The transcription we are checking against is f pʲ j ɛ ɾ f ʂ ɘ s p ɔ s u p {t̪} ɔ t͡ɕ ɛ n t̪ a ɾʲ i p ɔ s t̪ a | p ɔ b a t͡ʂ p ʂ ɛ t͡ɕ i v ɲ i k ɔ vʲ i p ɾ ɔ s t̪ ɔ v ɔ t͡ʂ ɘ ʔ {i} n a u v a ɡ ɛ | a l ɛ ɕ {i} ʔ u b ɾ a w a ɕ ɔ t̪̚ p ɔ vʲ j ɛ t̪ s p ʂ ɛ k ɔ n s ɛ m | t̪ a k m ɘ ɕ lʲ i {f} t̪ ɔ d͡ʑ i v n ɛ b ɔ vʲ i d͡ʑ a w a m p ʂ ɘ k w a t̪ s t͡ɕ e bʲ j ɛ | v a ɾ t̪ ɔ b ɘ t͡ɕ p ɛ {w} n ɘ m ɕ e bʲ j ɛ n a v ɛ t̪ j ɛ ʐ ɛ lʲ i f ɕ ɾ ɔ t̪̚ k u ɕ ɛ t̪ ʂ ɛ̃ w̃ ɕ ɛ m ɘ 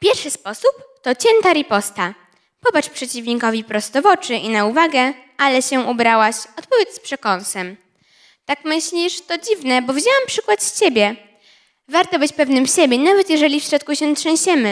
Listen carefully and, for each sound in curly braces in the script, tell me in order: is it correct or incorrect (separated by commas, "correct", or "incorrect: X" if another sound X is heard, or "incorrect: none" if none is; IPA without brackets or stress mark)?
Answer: correct, correct, incorrect: ɛ, incorrect: ʂ, incorrect: v